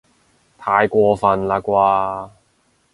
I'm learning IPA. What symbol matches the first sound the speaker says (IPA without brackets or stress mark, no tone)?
t̪ʰ